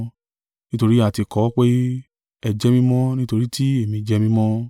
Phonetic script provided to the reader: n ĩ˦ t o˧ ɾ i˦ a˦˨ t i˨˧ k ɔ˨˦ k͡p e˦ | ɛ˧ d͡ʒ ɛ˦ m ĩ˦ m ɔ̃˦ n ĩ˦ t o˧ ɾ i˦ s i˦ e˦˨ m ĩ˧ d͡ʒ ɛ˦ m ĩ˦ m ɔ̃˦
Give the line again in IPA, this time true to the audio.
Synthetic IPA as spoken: n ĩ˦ t o˧ ɾ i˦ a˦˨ t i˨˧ k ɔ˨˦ k͡p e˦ | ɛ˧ d͡ʒ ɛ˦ m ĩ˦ m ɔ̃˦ n ĩ˦ t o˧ ɾ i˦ t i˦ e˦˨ m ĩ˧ d͡ʒ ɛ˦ m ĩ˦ m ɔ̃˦